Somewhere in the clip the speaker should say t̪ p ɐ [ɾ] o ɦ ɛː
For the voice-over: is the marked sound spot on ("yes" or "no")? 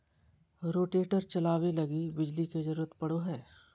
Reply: no